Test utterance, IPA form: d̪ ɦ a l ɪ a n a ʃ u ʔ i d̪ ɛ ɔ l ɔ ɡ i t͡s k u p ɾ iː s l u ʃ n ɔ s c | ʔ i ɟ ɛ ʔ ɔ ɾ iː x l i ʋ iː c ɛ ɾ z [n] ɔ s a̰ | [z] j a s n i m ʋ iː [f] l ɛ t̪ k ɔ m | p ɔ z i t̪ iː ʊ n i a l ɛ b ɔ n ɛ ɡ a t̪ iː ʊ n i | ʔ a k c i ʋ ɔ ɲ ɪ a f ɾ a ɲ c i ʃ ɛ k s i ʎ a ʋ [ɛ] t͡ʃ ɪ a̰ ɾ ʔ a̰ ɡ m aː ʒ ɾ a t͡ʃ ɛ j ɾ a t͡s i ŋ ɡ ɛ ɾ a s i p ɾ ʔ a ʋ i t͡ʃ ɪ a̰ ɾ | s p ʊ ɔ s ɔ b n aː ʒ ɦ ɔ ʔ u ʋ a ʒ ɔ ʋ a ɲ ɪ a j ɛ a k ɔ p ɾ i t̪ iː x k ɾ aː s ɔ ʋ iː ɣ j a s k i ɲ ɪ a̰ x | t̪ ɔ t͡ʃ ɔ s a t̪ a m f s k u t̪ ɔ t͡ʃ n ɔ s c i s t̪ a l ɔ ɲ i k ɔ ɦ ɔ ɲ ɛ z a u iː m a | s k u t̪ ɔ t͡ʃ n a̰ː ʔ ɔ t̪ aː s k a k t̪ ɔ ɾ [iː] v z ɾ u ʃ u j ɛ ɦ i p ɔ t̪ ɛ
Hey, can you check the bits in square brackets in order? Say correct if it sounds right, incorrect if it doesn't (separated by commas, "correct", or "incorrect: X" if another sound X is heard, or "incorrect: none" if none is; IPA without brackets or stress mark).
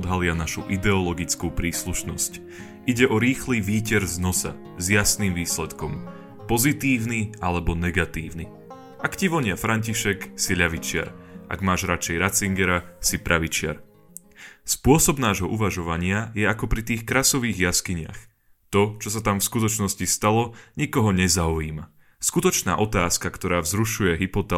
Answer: correct, correct, incorrect: s, incorrect: i, incorrect: aː